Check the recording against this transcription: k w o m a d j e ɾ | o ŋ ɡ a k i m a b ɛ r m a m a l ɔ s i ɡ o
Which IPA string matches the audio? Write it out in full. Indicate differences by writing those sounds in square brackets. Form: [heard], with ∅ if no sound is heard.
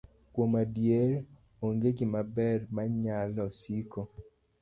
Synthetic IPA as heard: k w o m a d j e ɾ | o ŋ ɡ [e] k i m a b ɛ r m a [ɲ] a l ɔ s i [k] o